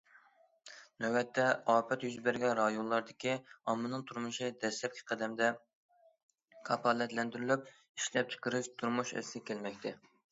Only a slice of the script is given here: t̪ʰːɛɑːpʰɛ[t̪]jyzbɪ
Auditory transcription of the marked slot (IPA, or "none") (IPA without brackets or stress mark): t̪